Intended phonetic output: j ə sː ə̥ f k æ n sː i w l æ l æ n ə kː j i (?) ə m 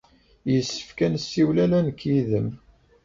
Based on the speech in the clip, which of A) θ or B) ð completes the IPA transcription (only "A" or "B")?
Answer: B